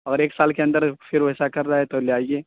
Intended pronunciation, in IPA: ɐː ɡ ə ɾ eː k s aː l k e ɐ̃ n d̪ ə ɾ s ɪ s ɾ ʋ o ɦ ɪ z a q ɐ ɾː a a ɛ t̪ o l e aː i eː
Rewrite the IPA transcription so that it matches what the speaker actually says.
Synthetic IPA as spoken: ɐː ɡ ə ɾ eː k s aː l k e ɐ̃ n d̪ ə ɾ f ɪ ɾ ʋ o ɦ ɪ s a k ɐ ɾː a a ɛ t̪ o l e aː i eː